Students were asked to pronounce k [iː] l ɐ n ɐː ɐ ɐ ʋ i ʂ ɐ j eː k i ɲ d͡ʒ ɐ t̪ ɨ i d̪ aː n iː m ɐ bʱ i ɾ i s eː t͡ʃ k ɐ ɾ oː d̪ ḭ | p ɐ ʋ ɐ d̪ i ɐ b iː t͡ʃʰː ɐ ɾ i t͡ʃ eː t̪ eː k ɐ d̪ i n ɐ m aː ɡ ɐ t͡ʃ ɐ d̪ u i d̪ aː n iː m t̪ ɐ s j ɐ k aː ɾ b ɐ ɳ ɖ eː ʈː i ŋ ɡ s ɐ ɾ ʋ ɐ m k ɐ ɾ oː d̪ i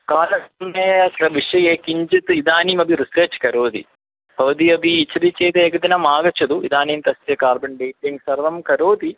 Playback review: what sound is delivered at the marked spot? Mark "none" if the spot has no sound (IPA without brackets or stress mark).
aː